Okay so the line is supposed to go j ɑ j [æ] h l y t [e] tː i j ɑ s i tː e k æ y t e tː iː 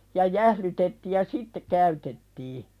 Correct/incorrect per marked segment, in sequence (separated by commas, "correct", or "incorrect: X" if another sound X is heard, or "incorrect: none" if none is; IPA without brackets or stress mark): correct, correct